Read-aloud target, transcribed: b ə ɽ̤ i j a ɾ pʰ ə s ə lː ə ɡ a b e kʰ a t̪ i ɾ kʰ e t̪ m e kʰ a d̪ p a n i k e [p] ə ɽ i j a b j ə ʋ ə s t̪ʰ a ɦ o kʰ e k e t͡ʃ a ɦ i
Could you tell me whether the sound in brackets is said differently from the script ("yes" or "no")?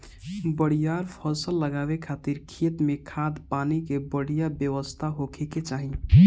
yes